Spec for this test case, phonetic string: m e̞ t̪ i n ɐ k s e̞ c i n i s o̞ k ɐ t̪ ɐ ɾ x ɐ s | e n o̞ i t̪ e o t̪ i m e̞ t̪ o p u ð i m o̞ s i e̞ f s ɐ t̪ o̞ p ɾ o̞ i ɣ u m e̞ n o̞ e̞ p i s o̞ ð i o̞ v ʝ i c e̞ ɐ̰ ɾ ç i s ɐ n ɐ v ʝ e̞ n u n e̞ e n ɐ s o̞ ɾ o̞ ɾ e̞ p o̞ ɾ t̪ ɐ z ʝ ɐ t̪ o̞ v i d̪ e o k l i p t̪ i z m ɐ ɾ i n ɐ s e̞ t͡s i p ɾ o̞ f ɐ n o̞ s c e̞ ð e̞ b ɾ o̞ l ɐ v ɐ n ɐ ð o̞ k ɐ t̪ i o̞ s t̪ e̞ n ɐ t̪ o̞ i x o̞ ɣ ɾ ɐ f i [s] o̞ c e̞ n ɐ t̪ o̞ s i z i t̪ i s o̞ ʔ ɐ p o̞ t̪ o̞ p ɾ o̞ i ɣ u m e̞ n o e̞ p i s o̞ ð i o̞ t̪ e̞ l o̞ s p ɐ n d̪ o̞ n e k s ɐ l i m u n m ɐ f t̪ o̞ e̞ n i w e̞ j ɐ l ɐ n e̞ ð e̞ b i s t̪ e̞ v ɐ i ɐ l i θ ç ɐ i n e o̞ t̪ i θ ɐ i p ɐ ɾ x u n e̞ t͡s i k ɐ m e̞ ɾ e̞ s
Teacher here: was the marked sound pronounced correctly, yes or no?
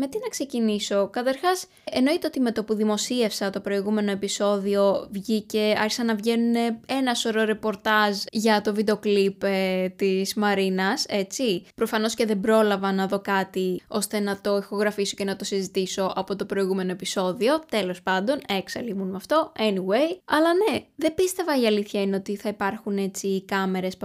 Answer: yes